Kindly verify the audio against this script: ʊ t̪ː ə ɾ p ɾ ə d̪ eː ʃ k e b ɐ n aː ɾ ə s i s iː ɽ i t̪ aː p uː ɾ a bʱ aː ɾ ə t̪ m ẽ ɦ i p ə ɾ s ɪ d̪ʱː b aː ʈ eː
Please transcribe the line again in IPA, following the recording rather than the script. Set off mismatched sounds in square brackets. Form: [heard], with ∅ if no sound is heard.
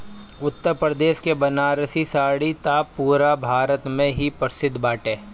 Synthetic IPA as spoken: ʊ t̪ː ə ɾ p ɾ ə d̪ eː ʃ k e b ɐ n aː ɾ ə s i s [aː] ɽ i t̪ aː p uː ɾ a bʱ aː ɾ ə t̪ m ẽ ɦ i p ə ɾ s ɪ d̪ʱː b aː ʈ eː